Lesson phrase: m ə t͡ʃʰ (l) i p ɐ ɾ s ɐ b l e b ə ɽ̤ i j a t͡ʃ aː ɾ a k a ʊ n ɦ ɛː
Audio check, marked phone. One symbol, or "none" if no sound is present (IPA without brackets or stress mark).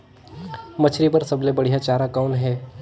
ɾ